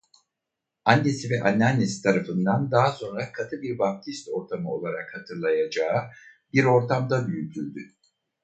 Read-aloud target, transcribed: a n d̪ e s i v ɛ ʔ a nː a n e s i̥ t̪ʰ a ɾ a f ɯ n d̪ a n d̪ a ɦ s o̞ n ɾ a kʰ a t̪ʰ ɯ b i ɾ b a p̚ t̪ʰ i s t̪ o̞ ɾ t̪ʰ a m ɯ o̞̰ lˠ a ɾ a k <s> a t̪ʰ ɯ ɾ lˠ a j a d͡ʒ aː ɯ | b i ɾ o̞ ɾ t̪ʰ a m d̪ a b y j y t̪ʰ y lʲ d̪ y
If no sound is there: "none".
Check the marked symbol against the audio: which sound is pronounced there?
h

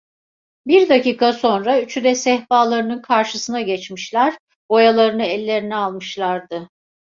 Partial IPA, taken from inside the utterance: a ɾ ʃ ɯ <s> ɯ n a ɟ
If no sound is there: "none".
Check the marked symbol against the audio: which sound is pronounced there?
s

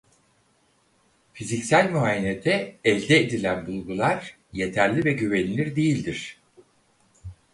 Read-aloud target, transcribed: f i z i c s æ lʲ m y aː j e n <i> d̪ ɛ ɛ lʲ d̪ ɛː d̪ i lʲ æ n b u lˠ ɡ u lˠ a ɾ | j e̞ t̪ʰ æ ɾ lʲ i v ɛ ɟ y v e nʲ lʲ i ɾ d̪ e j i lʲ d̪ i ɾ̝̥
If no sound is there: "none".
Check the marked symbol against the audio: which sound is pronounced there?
e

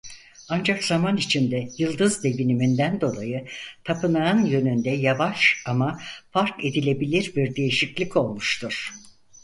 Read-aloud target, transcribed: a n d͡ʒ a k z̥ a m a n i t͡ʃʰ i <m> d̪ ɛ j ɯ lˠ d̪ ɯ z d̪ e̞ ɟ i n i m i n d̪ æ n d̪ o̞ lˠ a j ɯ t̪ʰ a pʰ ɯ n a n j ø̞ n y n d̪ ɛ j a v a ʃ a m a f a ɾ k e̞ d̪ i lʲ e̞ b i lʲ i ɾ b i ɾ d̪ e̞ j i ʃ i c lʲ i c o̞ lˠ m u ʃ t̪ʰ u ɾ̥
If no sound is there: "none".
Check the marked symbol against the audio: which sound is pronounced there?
n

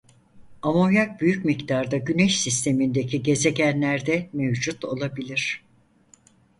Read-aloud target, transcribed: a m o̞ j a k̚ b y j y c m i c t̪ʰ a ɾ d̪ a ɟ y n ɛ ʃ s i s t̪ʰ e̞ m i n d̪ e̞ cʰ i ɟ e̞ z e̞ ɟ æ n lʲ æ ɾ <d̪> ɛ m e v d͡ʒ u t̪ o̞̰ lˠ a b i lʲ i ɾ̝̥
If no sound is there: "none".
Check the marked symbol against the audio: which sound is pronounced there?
d̪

